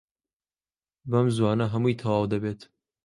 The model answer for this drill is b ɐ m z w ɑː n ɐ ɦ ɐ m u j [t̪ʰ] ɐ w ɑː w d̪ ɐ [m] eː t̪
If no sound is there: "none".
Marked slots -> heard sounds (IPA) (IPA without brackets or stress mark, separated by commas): t̪ʰ, b